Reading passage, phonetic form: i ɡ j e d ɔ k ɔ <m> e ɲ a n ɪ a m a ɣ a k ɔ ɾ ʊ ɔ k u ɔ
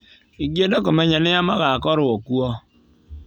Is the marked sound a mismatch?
no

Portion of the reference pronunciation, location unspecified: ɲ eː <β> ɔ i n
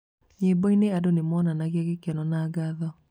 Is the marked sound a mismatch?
yes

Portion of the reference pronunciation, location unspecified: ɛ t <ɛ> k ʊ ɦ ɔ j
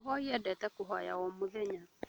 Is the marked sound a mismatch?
no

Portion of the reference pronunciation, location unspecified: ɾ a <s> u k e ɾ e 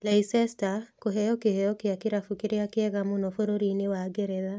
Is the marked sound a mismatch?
yes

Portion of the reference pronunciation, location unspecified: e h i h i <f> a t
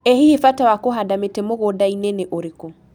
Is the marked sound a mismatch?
no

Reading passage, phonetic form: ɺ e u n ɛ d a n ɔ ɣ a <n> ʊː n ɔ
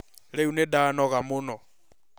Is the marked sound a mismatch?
yes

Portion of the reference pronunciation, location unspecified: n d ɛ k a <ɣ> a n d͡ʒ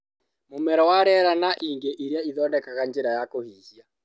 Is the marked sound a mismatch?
no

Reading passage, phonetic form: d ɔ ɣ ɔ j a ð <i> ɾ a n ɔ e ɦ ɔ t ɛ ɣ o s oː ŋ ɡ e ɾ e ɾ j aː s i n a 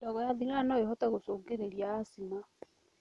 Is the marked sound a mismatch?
no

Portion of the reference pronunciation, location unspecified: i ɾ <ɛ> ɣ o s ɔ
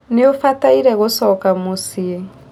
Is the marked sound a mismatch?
no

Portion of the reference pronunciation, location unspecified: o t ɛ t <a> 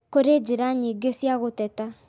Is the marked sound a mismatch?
no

